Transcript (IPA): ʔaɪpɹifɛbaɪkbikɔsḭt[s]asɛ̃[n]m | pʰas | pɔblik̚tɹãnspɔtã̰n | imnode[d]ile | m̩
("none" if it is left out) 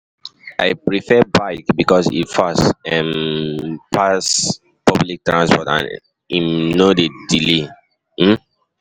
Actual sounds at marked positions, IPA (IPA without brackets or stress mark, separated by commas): f, none, d